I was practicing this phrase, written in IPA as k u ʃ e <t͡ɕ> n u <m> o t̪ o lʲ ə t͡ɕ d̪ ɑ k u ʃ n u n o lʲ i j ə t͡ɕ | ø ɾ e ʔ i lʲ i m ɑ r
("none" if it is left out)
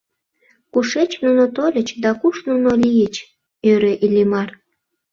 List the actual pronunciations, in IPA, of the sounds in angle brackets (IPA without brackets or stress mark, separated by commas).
t͡ɕ, n